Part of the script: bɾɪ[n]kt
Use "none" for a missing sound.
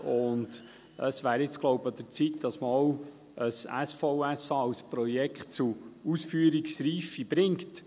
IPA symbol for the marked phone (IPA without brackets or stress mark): ŋ